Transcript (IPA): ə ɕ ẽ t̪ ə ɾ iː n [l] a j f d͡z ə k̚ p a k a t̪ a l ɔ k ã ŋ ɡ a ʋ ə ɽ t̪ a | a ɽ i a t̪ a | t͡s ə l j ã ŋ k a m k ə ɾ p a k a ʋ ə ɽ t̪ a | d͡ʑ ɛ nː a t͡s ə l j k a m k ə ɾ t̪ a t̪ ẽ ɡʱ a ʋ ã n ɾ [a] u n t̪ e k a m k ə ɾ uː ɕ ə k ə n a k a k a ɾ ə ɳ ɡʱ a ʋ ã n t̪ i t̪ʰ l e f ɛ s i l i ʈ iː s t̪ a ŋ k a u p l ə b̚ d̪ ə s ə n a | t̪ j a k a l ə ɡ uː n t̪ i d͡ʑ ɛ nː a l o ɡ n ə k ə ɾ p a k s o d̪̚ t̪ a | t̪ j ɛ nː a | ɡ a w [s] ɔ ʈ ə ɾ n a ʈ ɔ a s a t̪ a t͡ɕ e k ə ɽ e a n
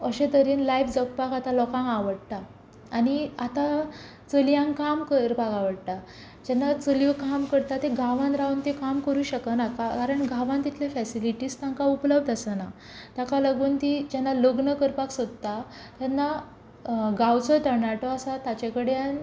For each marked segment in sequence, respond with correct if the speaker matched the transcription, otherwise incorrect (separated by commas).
correct, correct, incorrect